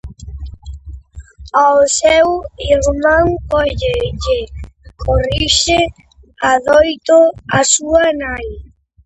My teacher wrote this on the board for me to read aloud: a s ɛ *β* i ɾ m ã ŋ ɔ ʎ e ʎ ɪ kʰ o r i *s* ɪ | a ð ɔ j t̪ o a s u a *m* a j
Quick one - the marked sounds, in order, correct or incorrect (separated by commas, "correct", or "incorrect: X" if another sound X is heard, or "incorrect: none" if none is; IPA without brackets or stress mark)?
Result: incorrect: w, incorrect: ʃ, incorrect: n